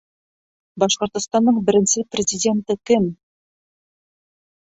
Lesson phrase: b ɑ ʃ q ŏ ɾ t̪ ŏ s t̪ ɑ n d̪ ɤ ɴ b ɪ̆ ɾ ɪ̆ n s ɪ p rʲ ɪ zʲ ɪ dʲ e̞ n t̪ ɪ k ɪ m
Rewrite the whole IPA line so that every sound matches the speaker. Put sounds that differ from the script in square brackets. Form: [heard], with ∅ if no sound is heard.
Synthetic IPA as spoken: b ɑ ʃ q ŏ ɾ t̪ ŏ s t̪ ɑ n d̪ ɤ ɴ b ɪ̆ ɾ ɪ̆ n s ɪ p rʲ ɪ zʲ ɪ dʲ e̞ n t̪ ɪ k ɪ m